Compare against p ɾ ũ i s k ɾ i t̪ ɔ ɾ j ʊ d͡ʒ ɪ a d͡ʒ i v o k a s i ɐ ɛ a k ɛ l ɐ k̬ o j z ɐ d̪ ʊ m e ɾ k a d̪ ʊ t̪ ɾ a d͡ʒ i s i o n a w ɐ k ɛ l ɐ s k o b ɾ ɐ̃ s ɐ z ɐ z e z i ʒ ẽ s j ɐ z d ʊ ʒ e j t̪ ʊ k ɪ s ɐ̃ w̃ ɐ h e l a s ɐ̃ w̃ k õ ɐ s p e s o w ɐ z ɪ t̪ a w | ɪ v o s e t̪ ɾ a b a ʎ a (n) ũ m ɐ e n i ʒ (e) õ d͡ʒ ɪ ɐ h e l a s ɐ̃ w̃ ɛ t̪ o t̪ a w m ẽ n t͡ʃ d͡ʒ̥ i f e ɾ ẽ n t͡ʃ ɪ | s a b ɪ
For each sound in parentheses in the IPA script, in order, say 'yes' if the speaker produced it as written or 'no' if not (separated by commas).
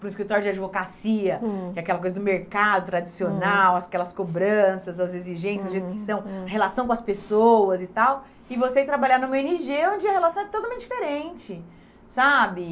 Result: yes, yes